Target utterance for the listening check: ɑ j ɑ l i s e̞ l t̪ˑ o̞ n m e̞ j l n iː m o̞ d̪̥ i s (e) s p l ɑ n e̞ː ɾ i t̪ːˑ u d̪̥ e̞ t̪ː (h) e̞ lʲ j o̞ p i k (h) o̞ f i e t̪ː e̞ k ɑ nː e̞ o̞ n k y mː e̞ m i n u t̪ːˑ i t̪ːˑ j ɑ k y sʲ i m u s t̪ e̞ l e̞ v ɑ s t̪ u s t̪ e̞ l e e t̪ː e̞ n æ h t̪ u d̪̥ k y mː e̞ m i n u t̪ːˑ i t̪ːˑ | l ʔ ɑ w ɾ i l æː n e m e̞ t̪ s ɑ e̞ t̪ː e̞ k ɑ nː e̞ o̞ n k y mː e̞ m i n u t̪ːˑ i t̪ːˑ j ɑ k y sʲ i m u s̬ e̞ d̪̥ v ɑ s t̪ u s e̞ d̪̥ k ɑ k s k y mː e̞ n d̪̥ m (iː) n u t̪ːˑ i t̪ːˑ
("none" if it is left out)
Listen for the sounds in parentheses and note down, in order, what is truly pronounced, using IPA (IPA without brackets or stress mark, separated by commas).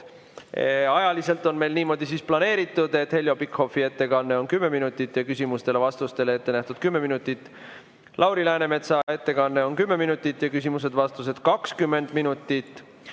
i, h, h, i